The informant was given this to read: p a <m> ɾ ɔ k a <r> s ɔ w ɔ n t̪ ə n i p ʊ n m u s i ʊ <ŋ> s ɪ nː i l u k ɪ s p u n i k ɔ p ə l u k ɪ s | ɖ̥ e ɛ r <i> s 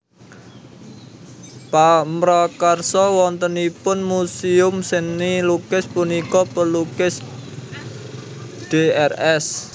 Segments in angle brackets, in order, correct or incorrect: correct, correct, incorrect, incorrect

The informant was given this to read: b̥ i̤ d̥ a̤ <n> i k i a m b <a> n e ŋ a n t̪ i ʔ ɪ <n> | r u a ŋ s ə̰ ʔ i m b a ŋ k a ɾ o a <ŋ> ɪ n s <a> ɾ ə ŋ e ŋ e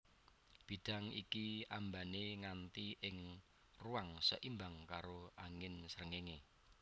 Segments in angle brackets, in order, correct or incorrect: incorrect, correct, incorrect, correct, incorrect

